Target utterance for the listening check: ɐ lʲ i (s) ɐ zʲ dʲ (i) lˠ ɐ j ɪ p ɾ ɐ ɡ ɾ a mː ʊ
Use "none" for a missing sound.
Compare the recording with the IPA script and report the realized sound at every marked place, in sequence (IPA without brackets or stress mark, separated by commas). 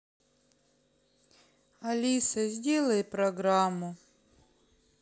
s, e